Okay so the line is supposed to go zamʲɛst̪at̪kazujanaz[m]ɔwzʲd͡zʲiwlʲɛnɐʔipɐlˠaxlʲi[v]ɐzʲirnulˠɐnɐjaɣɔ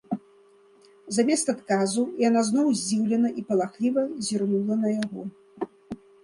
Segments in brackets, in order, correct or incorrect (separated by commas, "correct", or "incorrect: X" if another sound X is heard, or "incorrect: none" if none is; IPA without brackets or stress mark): incorrect: n, correct